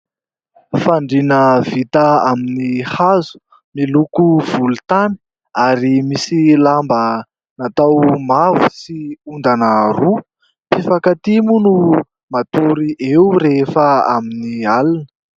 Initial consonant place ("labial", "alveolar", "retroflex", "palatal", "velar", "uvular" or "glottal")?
labial